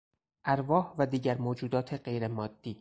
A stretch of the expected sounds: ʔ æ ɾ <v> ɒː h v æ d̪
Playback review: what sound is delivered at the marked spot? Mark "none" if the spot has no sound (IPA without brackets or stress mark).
v